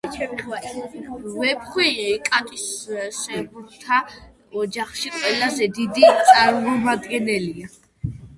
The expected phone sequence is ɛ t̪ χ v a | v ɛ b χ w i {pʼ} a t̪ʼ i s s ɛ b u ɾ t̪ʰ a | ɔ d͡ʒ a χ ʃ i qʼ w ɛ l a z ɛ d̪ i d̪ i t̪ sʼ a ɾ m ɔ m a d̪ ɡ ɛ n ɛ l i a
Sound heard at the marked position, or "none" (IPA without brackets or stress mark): kʼ